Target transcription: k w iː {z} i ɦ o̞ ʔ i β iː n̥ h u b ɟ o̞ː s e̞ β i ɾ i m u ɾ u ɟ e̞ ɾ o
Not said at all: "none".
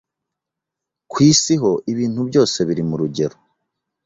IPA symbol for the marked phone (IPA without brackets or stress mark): s